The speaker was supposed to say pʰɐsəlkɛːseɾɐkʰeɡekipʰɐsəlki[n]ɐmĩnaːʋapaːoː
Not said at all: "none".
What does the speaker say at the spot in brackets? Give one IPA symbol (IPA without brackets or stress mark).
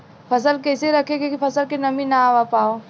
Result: n